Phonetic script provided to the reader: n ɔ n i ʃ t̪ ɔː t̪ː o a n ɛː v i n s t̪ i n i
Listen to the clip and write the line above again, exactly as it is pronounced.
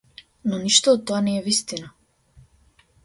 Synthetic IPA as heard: n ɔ n i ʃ t̪ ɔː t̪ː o a n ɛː v i s t̪ i n a